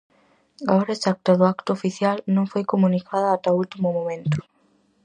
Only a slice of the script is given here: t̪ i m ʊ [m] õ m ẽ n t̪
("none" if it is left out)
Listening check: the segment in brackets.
m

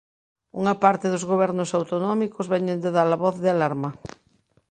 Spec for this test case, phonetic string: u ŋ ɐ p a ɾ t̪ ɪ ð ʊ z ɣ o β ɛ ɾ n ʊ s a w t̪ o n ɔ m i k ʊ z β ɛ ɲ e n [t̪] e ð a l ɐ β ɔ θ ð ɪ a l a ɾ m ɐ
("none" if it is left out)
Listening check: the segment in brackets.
d̪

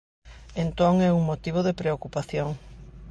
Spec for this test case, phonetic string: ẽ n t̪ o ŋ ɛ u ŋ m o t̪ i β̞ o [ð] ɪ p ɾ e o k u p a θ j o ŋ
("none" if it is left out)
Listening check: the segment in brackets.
ð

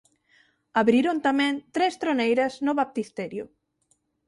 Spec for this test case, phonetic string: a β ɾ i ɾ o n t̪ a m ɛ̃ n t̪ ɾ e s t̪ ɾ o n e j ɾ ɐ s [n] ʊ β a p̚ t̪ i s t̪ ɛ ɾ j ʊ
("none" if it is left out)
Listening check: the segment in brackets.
n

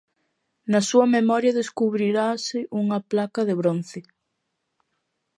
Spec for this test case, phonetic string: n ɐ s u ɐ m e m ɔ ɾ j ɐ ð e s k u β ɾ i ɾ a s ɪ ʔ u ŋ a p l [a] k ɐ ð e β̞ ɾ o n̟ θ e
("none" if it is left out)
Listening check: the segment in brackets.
a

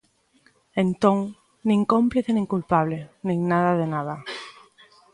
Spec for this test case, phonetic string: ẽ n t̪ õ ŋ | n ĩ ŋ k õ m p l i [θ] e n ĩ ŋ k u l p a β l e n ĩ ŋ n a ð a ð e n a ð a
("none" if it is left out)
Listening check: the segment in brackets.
θ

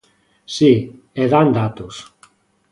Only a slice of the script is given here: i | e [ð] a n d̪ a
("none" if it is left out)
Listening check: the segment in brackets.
ð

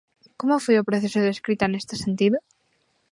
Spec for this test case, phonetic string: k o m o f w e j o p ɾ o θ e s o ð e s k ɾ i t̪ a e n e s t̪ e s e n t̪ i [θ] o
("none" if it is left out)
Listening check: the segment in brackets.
ð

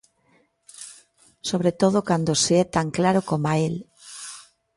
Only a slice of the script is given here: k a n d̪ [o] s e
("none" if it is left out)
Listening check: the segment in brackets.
o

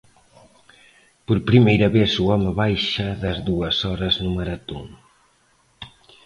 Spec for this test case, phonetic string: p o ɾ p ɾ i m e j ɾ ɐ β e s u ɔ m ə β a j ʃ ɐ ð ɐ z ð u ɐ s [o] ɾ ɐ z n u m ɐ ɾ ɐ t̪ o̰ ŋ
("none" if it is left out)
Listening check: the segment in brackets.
ɔ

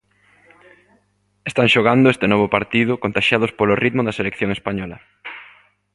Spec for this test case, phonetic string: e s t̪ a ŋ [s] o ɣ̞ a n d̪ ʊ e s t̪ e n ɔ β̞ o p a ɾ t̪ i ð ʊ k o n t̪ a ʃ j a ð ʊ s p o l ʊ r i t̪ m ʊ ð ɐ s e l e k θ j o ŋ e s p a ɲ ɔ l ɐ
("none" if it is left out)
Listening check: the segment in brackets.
ʃ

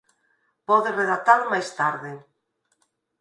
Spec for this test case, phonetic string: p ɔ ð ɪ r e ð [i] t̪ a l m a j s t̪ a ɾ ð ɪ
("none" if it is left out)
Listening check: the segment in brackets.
a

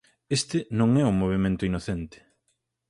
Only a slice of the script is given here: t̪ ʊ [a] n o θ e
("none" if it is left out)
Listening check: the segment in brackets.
i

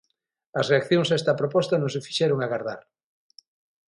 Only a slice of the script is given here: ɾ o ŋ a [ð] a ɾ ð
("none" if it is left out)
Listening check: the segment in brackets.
ɣ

